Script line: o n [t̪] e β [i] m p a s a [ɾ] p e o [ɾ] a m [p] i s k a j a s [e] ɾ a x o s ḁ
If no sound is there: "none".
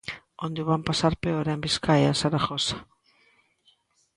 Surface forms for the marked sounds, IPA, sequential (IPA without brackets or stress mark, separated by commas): d̪, a, ɾ, ɾ, b, a